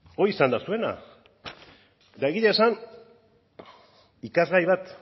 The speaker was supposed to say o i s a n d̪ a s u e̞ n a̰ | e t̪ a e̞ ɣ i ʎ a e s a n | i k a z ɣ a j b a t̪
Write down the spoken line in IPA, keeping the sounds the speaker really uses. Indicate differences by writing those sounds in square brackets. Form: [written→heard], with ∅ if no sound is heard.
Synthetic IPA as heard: o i s a n d̪ a s u e̞ n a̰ | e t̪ a e̞ ɣ i ʎ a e s a n | i k a z ɣ a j [b→β] a t̪